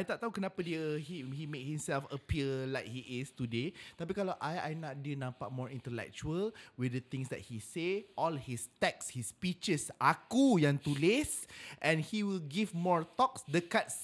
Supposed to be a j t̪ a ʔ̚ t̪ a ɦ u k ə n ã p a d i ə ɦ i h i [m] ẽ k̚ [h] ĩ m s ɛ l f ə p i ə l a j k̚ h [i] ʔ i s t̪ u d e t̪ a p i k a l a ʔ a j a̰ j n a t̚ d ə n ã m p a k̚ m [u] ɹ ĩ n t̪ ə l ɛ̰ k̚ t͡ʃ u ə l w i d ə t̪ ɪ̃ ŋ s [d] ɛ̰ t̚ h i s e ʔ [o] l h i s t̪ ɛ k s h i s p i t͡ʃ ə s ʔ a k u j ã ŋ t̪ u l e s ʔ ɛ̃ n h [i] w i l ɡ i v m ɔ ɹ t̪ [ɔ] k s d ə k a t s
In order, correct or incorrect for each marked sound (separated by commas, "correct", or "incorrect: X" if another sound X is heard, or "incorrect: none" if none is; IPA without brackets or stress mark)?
correct, correct, correct, incorrect: ɔ, correct, incorrect: ɔ, correct, correct